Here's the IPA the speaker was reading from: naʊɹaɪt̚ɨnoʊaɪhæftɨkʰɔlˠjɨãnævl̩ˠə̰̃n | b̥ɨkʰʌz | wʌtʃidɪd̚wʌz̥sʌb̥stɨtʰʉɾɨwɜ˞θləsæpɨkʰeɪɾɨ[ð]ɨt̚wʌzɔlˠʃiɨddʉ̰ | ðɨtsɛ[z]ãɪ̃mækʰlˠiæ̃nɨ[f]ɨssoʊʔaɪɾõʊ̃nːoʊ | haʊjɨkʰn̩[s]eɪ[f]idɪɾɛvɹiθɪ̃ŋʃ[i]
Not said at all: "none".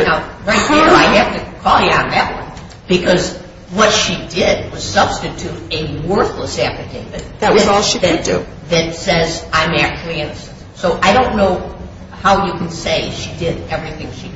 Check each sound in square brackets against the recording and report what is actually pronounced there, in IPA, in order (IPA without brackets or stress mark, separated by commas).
ð, z, s, s, ʃ, i